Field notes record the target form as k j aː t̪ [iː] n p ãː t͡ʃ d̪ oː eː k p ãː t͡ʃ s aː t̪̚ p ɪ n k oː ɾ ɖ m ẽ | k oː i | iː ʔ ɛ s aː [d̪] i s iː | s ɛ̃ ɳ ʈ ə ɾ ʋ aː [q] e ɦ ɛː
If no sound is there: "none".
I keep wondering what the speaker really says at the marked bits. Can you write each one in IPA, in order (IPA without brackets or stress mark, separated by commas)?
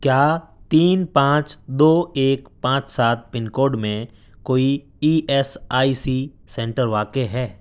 iː, none, k